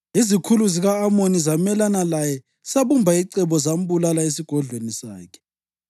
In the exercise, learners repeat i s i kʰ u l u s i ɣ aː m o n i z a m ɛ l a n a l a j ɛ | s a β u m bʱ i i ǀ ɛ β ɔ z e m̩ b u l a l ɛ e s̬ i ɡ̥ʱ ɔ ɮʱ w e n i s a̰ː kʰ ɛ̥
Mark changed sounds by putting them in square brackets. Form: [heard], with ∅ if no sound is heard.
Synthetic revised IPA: i [z] i kʰ u l u [z] i ɣ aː m o n i z a m ɛ l a n a l a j ɛ | s a β u m bʱ [a] i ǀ ɛ β ɔ z [a] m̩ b u l a l [a] e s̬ i ɡ̥ʱ ɔ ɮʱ w e n i s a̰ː kʰ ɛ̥